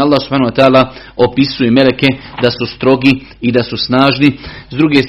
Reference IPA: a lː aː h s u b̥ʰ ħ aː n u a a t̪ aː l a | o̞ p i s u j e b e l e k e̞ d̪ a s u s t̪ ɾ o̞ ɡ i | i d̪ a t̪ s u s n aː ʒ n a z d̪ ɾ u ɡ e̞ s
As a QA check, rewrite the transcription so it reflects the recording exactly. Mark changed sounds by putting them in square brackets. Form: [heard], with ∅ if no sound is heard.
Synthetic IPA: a lː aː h s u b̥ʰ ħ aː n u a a t̪ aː l a | o̞ p i s u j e [m] e l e k e̞ d̪ a s u s t̪ ɾ o̞ ɡ i | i d̪ a [∅] s u s n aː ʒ n [i] z d̪ ɾ u ɡ e̞ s